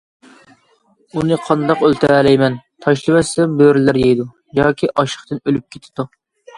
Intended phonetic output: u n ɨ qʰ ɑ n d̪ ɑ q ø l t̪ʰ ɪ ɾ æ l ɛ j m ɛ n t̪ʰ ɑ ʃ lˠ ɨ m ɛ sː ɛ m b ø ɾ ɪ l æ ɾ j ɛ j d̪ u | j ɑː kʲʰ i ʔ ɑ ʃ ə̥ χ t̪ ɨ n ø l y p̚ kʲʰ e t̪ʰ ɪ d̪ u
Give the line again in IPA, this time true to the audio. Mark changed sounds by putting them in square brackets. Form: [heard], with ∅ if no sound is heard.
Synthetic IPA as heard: u n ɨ qʰ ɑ n d̪ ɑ q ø l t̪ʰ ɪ ɾ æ l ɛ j m ɛ n t̪ʰ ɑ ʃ lˠ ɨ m ɛ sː ɛ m b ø ɾ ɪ l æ ɾ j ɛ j d̪ u | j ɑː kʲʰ i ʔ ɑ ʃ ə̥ χ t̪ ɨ n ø l y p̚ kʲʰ e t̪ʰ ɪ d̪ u